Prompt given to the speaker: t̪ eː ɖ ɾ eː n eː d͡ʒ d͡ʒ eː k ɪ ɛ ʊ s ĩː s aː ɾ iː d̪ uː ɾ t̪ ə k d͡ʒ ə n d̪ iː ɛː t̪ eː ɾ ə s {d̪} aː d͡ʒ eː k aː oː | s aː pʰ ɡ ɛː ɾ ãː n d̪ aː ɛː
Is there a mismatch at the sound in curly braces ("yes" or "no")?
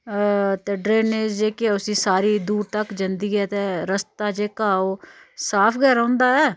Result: yes